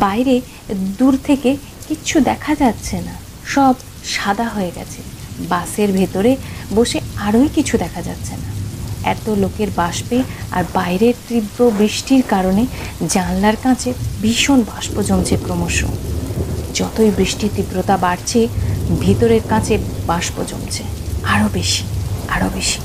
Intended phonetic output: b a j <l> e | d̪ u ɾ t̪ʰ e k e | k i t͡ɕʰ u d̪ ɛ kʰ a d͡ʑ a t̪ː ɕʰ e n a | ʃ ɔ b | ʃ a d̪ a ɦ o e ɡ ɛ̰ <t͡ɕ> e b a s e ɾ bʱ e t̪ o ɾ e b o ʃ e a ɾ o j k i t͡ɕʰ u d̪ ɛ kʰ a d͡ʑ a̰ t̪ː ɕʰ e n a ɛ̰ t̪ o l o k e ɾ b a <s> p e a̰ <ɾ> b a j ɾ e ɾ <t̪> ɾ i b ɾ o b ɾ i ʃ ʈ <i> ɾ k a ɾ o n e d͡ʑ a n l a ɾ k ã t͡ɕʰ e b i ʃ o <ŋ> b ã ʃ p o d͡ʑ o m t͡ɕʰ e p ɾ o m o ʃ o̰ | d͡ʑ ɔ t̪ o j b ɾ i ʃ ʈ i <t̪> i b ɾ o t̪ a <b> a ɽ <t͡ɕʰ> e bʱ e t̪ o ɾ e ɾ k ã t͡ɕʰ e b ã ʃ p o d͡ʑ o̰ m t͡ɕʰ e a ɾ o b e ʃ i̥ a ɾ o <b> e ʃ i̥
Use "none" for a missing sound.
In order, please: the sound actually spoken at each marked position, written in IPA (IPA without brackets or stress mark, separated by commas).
ɾ, t͡ɕʰ, ʃ, ɾ, t̪, i, n, t̪, b, t͡ɕʰ, b